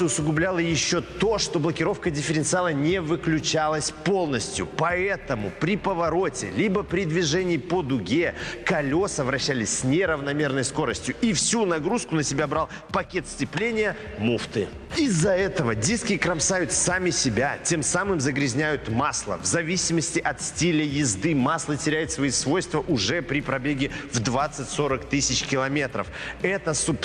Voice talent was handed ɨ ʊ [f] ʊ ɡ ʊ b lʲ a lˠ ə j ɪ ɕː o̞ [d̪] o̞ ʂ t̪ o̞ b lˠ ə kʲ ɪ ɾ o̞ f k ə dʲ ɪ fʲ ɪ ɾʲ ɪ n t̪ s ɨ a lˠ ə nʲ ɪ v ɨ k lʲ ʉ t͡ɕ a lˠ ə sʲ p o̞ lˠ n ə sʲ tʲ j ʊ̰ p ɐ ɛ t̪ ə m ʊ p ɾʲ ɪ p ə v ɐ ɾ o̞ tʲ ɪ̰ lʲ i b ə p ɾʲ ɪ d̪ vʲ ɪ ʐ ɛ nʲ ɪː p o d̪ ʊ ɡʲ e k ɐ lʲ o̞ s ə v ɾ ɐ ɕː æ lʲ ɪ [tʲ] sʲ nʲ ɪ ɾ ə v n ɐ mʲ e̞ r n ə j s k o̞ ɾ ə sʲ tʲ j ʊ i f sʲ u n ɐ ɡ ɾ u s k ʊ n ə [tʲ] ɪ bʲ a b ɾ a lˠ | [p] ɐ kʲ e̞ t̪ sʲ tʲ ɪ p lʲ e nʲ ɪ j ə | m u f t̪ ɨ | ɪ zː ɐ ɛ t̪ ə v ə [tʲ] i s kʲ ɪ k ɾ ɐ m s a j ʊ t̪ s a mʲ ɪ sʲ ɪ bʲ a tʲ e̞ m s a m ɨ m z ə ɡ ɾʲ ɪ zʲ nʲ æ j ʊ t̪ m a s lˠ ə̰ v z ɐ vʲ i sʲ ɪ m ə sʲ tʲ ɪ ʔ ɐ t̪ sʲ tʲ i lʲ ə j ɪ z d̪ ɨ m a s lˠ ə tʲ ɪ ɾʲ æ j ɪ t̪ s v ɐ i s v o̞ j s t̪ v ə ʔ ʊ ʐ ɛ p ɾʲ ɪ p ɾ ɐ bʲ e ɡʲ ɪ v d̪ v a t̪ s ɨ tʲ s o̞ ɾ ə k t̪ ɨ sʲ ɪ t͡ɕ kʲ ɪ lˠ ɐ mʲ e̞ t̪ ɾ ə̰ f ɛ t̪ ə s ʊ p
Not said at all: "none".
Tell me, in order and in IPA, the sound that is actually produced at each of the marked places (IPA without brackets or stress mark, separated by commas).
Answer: s, t̪, sʲ, sʲ, p, dʲ